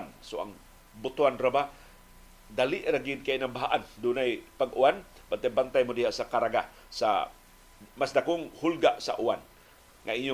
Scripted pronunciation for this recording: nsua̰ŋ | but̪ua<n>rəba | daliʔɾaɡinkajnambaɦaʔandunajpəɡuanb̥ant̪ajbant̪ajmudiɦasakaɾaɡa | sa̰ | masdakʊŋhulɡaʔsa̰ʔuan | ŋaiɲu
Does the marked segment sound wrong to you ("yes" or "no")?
no